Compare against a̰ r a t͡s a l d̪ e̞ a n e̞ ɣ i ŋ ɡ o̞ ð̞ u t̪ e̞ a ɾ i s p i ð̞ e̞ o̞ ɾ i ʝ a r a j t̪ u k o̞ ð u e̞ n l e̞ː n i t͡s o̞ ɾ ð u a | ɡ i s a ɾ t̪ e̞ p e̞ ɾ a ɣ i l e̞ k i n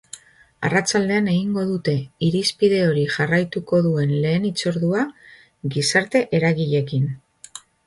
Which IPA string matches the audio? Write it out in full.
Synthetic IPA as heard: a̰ r a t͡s a l d̪ e̞ a n e̞ ɣ i ŋ ɡ o̞ ð̞ u t̪ e̞ i ɾ i s p i ð̞ e̞ o̞ ɾ i ʝ a r a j t̪ u k o̞ ð u e̞ n l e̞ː n i t͡s o̞ ɾ ð u a | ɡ i s a ɾ t̪ e̞ ʔ e̞ ɾ a ɣ i ʎ e̞ k i n